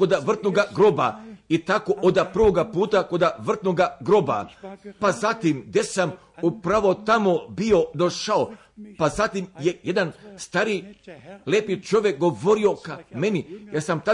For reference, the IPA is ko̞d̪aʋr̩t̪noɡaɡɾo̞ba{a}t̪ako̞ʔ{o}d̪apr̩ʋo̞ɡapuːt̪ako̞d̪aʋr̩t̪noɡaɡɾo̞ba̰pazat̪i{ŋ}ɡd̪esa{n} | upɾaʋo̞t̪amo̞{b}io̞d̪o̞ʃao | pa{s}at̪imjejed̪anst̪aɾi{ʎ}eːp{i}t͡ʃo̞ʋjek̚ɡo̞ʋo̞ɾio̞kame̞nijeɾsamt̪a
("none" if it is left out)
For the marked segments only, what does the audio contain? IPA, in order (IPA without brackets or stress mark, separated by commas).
i, o, m, m, b, z, l, i